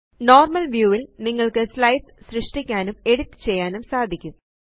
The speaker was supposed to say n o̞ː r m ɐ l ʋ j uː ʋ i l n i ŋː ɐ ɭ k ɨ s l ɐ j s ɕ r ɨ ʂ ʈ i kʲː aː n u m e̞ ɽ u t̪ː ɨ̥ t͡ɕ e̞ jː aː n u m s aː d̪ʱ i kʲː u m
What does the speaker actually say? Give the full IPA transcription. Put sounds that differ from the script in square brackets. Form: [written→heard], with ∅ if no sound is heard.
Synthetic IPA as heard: n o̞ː r m ɐ l ʋ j uː ʋ i l n i ŋː ɐ ɭ k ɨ s l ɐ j s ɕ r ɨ ʂ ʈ i kʲː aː n u m e̞ ɽ u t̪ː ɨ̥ t͡ɕ e̞ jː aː n u m s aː d̪ʱ i kʲː u m